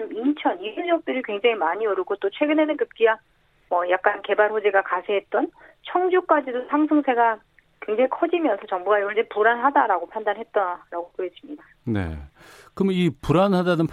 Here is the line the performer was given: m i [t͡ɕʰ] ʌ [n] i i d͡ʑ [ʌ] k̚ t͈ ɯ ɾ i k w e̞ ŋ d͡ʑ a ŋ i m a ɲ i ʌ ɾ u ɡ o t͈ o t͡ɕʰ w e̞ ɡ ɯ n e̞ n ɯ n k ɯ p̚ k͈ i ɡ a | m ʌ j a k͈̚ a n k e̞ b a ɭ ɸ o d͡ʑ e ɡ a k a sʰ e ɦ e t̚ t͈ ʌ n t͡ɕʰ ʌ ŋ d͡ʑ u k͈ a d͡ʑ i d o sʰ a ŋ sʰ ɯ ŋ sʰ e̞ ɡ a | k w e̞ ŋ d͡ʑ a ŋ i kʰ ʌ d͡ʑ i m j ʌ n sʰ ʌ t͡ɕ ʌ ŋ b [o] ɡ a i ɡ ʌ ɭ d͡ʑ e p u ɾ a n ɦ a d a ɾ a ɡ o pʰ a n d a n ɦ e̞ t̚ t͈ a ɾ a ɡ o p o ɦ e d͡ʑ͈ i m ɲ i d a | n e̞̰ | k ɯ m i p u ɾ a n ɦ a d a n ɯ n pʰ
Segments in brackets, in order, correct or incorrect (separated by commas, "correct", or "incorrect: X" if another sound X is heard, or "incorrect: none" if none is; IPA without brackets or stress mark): correct, correct, correct, incorrect: u